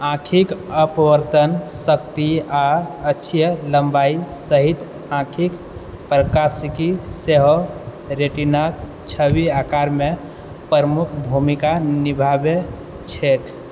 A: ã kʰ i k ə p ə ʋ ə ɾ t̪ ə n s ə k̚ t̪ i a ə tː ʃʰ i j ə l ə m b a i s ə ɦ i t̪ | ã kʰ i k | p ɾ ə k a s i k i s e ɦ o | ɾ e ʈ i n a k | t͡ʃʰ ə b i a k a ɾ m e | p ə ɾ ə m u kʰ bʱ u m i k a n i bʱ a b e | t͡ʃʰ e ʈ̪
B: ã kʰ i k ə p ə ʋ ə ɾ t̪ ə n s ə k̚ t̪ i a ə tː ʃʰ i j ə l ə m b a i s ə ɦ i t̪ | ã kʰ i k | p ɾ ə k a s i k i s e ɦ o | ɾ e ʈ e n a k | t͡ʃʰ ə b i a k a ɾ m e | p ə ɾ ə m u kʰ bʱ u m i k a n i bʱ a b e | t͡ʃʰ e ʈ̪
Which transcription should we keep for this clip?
A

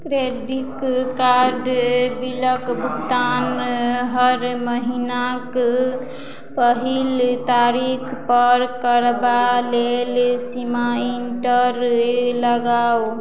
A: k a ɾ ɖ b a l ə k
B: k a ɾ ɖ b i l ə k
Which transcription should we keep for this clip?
B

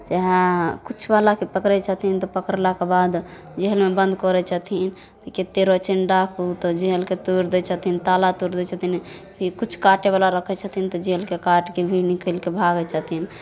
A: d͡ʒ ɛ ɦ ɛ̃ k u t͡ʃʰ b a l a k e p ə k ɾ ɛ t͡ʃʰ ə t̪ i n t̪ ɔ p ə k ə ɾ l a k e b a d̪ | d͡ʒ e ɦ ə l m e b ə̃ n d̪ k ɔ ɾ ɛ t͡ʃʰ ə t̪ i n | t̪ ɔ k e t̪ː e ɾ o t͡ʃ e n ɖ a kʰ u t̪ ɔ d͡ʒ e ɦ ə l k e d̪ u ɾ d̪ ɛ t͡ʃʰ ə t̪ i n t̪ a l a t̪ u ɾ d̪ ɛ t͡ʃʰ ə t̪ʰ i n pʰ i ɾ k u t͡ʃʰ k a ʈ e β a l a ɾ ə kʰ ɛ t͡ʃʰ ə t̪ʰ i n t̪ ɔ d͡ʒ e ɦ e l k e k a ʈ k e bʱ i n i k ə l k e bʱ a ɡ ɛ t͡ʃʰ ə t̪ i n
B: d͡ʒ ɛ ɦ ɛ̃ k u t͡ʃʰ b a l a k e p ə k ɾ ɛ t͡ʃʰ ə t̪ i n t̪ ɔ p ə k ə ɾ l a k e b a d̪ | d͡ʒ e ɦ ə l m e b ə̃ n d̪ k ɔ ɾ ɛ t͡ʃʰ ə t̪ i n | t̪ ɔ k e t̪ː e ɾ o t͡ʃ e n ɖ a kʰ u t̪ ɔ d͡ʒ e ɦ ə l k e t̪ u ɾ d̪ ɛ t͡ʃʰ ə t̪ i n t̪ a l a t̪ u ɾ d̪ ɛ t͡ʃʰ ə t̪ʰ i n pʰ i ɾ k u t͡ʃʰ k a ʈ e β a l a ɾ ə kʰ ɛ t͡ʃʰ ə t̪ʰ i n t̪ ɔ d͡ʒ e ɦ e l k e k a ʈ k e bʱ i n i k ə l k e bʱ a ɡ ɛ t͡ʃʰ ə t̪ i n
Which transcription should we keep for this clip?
B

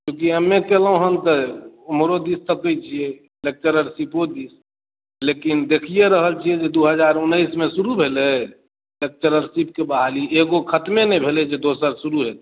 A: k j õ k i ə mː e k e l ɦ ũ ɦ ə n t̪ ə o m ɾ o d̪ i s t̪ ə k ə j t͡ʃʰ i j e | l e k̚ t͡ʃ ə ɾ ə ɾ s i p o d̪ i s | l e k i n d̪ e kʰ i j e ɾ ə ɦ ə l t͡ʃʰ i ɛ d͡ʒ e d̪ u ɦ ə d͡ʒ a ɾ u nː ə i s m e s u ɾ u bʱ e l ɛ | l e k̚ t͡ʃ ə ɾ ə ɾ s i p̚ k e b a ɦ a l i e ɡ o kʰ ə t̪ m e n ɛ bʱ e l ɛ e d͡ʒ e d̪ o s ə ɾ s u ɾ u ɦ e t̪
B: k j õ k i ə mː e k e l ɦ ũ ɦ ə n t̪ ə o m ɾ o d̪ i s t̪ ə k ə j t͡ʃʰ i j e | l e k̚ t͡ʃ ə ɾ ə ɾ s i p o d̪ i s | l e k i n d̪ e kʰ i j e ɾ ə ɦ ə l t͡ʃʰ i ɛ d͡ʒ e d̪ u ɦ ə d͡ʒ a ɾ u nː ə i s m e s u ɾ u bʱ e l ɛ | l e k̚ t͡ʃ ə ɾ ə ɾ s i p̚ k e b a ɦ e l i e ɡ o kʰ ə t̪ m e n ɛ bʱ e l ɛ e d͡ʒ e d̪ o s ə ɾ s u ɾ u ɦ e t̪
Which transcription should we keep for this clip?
A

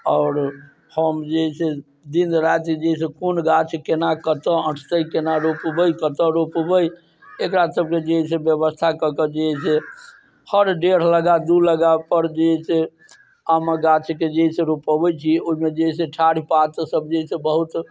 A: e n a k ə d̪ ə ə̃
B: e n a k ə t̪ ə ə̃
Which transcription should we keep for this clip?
B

